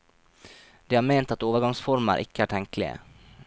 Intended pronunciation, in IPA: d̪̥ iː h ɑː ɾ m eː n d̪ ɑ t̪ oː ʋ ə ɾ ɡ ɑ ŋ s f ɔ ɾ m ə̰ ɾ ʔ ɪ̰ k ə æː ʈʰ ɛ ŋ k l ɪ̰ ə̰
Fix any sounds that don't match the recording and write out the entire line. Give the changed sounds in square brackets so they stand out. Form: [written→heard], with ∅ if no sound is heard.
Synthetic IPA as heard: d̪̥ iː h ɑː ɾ m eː n [d̪→t̪] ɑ t̪ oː ʋ ə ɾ ɡ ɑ ŋ s f ɔ ɾ m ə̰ ɾ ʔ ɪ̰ k ə æː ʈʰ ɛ ŋ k l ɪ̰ ə̰

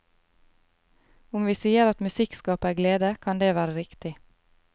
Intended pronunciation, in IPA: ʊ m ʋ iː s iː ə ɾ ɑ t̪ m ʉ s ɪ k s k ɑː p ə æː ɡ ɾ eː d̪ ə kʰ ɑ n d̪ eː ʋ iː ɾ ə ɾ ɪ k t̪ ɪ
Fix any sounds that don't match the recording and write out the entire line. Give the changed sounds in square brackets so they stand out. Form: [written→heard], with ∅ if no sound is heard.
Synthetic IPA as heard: ʊ m ʋ iː s iː ə ɾ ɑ t̪ m ʉ s ɪ k s k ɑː p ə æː ɡ [ɾ→l] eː d̪ ə kʰ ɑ n d̪ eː ʋ [iː→æː] ɾ ə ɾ ɪ k t̪ ɪ

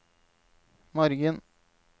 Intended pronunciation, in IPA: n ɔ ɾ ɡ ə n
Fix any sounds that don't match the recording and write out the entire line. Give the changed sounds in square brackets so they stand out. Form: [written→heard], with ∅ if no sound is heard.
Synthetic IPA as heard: [n→m] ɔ ɾ ɡ ə n

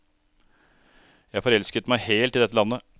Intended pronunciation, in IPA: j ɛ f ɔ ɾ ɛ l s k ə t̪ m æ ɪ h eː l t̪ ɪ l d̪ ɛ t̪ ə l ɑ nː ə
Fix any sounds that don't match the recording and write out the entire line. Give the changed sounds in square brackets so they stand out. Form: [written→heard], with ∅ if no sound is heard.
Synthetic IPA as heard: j [ɛ→æ] f ɔ ɾ ɛ l s k ə t̪ m æ ɪ h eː l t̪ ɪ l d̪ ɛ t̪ ə l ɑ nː ə

